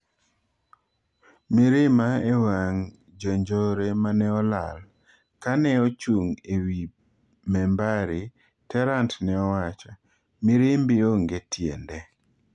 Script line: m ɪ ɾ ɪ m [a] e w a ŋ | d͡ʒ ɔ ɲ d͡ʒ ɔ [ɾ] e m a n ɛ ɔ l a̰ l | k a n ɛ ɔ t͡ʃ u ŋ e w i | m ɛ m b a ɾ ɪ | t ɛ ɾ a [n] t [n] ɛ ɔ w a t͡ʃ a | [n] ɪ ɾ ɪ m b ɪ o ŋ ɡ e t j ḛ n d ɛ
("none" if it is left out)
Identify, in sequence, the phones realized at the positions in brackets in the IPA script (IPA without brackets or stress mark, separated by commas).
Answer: a, ɾ, n, n, m